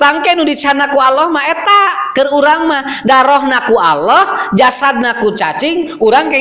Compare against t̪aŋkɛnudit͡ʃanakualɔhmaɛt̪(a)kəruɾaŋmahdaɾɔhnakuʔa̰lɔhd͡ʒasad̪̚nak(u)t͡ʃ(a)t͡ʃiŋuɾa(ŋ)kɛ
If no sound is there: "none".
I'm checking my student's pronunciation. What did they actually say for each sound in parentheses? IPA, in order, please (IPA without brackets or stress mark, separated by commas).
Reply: a, u, a, ŋ